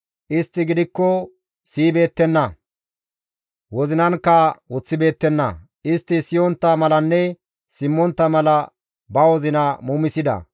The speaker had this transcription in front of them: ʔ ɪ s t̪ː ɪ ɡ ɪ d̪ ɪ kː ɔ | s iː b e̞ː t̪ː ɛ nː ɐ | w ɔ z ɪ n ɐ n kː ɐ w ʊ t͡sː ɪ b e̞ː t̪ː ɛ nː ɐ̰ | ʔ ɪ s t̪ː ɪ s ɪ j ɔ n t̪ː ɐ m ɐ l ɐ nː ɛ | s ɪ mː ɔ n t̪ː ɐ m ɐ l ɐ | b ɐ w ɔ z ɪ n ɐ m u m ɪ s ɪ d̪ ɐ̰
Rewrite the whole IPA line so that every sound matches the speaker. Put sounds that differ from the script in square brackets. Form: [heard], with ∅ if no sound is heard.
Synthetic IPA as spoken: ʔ ɪ s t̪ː ɪ ɡ ɪ d̪ ɪ kː ɔ | s iː b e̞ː t̪ː ɛ nː ɐ | w ɔ z ɪ n ɐ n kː ɐ w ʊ t͡sː ɪ b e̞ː t̪ː ɛ nː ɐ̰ | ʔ ɪ s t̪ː ɪ s ɪ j ɔ n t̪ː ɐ m ɐ l ɐ nː ɛ | s ɪ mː ɔ n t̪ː ɐ m ɐ l ɐ | b ɐ w ɔ z ɪ n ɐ m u m ɪ s ɪ d̪ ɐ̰